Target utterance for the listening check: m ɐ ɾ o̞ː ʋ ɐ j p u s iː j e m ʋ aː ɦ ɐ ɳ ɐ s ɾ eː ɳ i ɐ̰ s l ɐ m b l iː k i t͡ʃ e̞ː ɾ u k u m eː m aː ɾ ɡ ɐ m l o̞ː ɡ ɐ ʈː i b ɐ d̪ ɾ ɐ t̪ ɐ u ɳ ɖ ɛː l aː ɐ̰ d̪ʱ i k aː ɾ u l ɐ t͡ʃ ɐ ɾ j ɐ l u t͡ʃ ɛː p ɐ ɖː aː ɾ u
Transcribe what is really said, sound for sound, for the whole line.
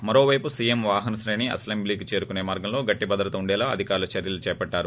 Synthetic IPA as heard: m ɐ ɾ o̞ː ʋ ɐ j p u s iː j e m ʋ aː ɦ ɐ n ɐ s ɾ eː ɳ i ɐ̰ s l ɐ m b l iː k i t͡ʃ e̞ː ɾ u k u n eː m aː ɾ ɡ ɐ m l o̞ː ɡ ɐ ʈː i b ɐ d̪ ɾ ɐ t̪ ɐ u ɳ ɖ ɛː l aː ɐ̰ d̪ʱ i k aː ɾ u l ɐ t͡ʃ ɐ ɾ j ɐ l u t͡ʃ ɛː p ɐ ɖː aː ɾ u